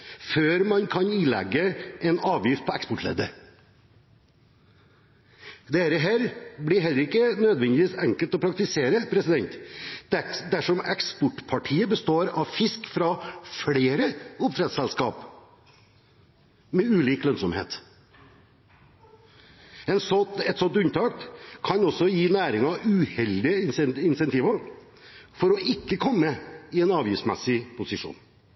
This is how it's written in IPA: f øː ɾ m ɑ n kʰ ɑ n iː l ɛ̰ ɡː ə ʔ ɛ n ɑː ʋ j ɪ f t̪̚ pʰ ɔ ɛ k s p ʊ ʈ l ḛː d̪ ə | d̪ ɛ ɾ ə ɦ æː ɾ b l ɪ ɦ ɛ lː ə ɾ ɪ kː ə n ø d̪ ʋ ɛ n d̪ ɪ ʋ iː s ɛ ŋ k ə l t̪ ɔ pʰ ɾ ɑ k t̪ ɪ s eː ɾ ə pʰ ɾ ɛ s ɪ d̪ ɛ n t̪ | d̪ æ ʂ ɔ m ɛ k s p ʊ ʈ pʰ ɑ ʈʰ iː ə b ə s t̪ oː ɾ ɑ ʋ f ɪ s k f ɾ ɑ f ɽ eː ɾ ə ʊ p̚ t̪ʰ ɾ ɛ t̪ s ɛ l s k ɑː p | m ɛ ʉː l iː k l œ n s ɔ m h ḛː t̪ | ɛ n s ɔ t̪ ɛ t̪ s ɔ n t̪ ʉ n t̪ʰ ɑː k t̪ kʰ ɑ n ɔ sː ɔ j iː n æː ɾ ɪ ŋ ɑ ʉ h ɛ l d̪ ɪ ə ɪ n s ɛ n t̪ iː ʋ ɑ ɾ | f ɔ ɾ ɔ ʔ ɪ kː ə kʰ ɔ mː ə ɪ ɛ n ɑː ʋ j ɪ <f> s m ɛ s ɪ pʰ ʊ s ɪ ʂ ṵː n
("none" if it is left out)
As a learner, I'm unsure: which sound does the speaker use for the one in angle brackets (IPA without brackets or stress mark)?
f